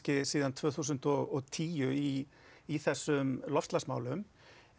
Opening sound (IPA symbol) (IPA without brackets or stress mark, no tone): c